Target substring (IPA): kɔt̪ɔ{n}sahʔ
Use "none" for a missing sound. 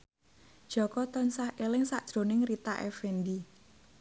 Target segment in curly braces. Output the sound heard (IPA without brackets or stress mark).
n